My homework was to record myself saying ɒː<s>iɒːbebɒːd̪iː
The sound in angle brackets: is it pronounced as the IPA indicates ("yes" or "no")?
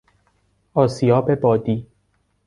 yes